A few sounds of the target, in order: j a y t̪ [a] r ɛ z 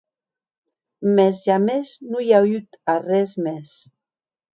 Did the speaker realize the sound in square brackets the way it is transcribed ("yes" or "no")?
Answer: yes